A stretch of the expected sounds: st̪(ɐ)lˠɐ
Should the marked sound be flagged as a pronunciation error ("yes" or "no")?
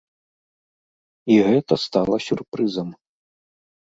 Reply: yes